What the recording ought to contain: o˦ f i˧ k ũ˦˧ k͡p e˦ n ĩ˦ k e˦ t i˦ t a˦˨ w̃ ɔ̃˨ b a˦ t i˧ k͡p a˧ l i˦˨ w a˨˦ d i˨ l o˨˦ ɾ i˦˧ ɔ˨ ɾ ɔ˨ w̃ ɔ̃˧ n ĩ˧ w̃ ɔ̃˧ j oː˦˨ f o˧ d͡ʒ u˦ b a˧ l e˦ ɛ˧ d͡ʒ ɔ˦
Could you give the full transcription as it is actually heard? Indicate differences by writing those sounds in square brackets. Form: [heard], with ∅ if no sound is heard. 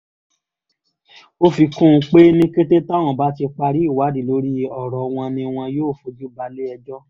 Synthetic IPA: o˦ f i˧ k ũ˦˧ k͡p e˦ n ĩ˦ k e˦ t [e˦] t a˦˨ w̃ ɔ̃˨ b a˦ t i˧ k͡p a˧ [ɾ] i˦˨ w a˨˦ d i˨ l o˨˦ ɾ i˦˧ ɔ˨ ɾ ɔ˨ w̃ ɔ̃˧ n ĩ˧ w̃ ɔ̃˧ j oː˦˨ f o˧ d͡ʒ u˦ b a˧ l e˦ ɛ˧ d͡ʒ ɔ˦